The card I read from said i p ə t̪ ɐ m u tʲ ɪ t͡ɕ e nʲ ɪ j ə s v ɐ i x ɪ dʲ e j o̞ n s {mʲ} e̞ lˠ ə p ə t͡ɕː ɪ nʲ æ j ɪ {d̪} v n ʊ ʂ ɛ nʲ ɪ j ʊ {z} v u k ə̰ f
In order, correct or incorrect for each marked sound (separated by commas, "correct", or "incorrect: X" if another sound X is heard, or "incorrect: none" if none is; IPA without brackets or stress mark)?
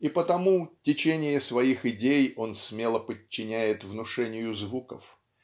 correct, incorrect: t̪, correct